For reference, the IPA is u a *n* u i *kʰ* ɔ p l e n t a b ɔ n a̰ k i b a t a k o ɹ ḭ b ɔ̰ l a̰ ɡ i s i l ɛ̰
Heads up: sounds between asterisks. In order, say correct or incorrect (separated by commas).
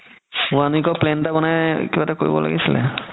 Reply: correct, incorrect